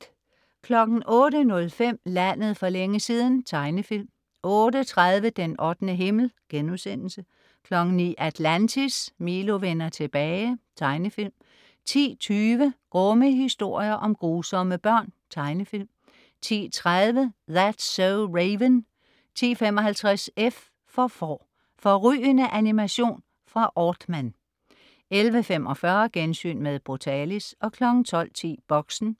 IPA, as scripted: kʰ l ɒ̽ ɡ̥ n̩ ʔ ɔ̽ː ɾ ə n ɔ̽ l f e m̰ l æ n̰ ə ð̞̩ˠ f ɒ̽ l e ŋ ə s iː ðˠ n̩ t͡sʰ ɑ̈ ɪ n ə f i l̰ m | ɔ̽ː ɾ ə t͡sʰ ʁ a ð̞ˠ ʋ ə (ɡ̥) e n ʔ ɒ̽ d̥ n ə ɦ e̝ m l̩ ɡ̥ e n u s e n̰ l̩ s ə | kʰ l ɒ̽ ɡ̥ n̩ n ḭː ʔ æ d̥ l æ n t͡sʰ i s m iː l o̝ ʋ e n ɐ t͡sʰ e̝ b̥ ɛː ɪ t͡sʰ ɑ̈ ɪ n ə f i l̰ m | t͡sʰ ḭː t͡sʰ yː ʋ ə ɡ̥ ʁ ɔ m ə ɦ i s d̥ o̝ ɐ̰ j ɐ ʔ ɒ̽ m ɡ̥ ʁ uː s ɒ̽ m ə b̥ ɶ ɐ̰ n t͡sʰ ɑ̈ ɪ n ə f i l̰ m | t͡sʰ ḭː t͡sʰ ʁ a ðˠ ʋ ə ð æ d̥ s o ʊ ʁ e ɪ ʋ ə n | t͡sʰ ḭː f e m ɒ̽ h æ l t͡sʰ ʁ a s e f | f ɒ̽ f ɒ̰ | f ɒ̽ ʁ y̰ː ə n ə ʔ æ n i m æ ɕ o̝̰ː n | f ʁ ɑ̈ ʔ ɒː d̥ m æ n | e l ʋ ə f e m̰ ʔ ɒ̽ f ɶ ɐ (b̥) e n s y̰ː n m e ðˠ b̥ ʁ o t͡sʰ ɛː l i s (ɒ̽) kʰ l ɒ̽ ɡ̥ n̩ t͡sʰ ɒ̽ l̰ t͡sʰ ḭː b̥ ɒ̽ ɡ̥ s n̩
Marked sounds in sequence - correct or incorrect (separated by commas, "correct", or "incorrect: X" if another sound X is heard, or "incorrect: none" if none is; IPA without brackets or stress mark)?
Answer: incorrect: d̥, incorrect: ɡ̥, correct